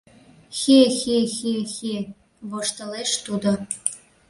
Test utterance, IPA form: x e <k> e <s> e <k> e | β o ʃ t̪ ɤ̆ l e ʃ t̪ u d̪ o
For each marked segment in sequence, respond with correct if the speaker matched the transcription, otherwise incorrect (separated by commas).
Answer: incorrect, incorrect, incorrect